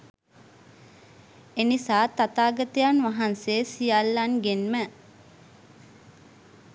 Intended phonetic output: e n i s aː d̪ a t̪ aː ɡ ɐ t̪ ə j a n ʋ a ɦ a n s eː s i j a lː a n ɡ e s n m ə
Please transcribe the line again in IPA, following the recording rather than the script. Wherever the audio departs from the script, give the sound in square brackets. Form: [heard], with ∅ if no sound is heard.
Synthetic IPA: e n i s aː [t̪] a t̪ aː ɡ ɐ t̪ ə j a n ʋ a ɦ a n s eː s i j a lː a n ɡ e [∅] n m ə